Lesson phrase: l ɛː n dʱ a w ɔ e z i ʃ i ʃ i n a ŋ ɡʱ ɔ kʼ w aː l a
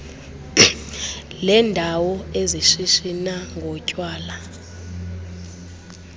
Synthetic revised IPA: l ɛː n dʱ a w ɔ e z i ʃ i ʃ i n a ŋ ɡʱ ɔ cʼ w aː l a